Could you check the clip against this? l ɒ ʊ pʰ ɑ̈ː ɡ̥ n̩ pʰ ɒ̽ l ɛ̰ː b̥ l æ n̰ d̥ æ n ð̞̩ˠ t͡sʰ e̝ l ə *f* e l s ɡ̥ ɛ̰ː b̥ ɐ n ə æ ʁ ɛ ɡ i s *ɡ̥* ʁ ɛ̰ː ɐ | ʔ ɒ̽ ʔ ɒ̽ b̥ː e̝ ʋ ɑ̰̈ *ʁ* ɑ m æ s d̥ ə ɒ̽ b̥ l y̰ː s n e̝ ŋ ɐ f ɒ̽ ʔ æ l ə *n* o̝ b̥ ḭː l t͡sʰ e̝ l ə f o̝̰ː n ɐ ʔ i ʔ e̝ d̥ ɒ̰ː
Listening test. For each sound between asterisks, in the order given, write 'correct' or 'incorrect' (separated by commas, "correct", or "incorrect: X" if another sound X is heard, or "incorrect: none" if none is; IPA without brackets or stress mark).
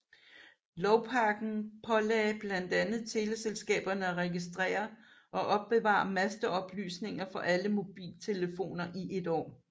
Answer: incorrect: s, incorrect: d̥, incorrect: none, incorrect: m